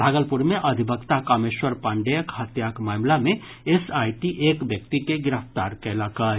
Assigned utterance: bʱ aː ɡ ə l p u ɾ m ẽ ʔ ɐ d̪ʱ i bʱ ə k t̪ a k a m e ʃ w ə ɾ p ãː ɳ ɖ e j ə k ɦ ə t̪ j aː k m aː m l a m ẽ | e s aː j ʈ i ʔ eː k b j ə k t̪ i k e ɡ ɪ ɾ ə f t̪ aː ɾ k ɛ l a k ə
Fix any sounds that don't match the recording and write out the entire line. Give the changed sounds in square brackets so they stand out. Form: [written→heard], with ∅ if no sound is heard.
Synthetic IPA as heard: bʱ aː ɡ ə l p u ɾ m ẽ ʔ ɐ d̪ʱ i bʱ ə k t̪ a k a m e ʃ w ə ɾ p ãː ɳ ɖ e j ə k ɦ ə t̪ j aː k m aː m l a m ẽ | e s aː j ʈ i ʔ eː k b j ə k t̪ i k e ɡ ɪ ɾ ə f t̪ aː ɾ k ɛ l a k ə